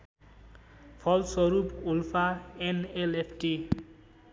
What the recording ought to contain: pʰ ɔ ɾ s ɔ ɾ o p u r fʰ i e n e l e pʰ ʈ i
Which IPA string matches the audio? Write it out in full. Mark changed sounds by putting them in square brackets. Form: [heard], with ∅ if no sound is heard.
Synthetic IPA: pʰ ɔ [l] s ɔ ɾ [u] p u [l] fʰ [a] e n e l e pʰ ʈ i